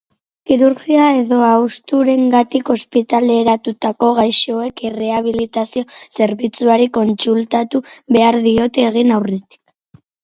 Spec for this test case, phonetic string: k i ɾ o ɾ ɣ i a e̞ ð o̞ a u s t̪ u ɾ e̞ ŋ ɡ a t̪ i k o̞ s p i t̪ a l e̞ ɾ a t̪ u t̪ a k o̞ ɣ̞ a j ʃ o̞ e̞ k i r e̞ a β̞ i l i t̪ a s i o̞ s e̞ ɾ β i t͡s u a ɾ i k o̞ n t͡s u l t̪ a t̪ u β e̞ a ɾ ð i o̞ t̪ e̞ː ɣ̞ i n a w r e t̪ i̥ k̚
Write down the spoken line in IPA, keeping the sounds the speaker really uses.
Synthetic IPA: k i ɾ u ɾ ɣ i a e̞ ð o̞ a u s t̪ u ɾ e̞ ŋ ɡ a t̪ i k o̞ s p i t̪ a l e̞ ɾ a t̪ u t̪ a k o̞ ɣ̞ a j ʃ o̞ e̞ k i r e̞ a β̞ i l i t̪ a s i o̞ s e̞ ɾ β i t͡s u a ɾ i k o̞ n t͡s u l t̪ a t̪ u β e̞ a ɾ ð i o̞ t̪ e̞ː ɣ̞ i n a w r e t̪ i̥ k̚